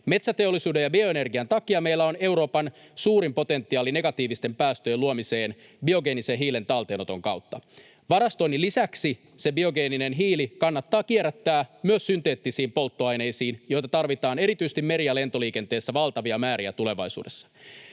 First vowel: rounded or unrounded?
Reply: unrounded